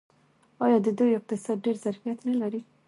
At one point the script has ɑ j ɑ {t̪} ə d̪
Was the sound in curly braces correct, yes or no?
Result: no